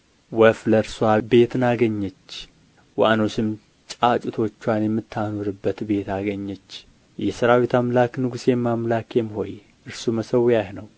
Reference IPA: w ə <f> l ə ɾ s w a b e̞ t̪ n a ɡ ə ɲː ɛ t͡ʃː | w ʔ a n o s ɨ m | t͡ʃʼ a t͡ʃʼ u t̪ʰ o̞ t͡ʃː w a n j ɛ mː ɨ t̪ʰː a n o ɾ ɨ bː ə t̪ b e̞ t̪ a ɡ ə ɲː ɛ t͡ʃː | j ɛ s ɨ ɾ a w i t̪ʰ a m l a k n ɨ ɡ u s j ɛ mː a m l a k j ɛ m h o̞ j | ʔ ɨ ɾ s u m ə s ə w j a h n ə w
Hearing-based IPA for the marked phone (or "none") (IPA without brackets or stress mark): f